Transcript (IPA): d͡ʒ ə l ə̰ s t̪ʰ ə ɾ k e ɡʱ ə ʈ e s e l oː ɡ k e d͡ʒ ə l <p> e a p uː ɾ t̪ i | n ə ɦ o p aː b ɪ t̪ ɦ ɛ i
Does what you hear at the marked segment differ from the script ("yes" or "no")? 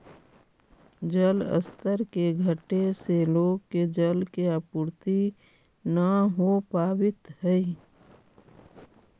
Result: yes